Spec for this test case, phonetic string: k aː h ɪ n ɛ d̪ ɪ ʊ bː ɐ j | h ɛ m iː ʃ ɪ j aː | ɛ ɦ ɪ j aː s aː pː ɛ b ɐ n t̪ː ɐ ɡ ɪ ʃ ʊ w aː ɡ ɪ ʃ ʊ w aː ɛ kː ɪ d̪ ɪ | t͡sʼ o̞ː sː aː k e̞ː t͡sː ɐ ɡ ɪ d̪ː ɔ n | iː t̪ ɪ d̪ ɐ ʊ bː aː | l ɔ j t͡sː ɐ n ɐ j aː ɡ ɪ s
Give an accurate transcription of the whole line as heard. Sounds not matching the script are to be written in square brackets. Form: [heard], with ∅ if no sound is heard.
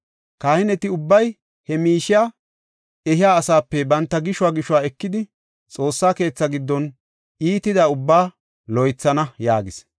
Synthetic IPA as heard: k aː h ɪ n ɛ [t̪] ɪ ʊ bː ɐ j | h ɛ m iː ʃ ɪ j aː | ɛ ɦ ɪ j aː s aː pː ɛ b ɐ n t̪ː ɐ ɡ ɪ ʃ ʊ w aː ɡ ɪ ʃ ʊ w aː ɛ kː ɪ d̪ ɪ | t͡sʼ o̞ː sː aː k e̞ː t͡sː ɐ ɡ ɪ d̪ː ɔ n | iː t̪ ɪ d̪ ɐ ʊ bː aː | l ɔ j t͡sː ɐ n ɐ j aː ɡ ɪ s